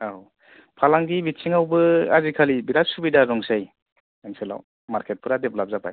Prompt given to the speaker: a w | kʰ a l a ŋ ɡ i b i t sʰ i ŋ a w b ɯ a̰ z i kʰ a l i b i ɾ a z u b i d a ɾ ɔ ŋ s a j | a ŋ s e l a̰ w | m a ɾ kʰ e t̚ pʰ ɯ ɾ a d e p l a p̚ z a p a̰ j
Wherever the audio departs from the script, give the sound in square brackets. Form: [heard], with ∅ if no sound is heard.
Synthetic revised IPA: a w | [pʰ] a l a ŋ ɡ i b i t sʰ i ŋ a w b ɯ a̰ z i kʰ a l i b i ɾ a [s] u b i d a ɾ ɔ ŋ s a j | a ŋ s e l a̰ w | m a ɾ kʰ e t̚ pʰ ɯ ɾ a d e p l a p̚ z a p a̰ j